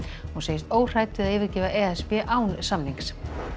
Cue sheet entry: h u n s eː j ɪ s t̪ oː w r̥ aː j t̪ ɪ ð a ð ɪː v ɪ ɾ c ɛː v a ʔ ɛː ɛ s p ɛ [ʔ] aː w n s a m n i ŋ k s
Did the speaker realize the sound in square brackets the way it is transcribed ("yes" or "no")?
yes